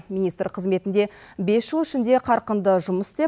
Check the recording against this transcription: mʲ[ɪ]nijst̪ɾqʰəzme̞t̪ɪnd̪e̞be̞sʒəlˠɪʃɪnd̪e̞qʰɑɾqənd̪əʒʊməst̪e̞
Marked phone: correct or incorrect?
incorrect